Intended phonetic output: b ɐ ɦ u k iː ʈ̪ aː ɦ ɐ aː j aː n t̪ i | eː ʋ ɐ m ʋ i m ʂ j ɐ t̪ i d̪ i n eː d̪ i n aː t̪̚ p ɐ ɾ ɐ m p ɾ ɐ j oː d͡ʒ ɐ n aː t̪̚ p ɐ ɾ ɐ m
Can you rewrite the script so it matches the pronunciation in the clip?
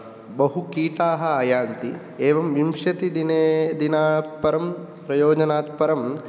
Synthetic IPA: b ɐ ɦ u k iː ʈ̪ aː ɦ ɐ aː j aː n t̪ i | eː ʋ ɐ m ʋ i m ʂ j ɐ t̪ i d̪ i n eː d̪ i n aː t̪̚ p ɐ ɾ ɐ m p ɾ ɐ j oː d͡ʒ ɐ n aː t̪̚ p ɐ ɾ ɐ m